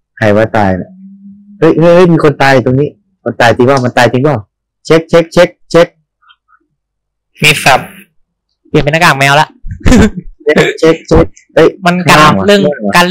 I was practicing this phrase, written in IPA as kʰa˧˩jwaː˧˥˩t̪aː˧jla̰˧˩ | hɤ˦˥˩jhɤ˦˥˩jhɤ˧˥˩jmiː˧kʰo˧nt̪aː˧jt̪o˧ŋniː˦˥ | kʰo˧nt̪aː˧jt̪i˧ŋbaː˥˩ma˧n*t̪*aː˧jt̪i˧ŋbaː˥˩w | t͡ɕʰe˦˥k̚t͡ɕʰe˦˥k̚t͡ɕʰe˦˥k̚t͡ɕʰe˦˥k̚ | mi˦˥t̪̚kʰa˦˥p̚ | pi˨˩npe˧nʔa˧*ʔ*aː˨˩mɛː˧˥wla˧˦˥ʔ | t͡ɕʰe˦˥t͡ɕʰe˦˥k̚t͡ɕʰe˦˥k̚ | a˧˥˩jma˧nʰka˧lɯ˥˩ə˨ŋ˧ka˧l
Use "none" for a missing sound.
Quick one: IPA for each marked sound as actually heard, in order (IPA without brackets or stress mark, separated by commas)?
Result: t̪, k